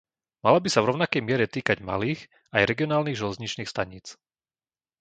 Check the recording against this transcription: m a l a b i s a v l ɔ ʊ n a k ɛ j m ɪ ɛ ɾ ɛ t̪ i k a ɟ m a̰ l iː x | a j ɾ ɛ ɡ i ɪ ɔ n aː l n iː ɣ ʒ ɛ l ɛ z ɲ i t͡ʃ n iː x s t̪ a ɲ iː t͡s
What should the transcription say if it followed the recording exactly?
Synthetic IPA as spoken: m a l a b i s a v ɾ ɔ ʊ n a k ɛ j m ɪ ɛ ɾ ɛ t̪ iː k a ɟ m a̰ l iː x | a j ɾ ɛ ɡ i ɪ ɔ n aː l n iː ɣ ʒ ɛ l ɛ z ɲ i t͡ʃ n iː x s t̪ a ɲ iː t͡s